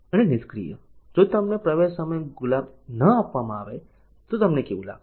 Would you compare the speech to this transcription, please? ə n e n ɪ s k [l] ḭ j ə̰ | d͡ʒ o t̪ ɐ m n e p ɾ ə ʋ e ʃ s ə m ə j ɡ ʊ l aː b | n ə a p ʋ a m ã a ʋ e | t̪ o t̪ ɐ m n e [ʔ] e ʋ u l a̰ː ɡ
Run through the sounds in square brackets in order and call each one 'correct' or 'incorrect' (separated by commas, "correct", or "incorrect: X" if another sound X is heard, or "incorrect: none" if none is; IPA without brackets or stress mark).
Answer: incorrect: ɾ, incorrect: k